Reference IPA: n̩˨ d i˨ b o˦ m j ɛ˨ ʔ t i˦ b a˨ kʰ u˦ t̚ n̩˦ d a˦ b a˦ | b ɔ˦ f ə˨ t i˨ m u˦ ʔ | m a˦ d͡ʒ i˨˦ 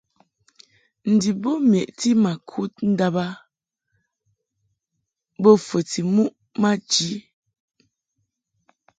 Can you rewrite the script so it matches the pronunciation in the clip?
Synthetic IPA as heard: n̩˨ d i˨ b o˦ m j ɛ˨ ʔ t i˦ m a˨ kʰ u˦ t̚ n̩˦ d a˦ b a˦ | b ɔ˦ f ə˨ t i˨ m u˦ ʔ | m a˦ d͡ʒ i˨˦